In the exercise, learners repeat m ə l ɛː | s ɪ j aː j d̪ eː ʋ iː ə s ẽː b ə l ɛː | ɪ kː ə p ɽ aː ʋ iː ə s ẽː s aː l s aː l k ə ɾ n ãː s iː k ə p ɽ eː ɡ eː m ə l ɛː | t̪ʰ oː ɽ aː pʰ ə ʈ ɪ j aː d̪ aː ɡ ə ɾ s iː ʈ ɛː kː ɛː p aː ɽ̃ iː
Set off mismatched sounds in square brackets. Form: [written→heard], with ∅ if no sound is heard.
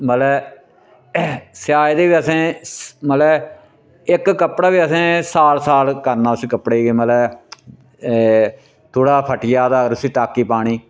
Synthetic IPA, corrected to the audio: m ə l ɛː | s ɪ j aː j d̪ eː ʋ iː ə s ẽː [b→m] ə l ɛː | ɪ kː ə p ɽ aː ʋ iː ə s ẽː s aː l s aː l k ə ɾ n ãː s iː k ə p ɽ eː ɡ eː m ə l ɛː | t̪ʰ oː ɽ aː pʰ ə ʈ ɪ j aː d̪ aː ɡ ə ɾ s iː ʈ [ɛː→aː] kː [ɛː→iː] p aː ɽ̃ iː